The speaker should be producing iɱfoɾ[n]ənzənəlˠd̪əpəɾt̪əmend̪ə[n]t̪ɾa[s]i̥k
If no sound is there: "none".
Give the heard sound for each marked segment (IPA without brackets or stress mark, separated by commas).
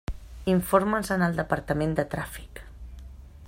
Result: m, none, f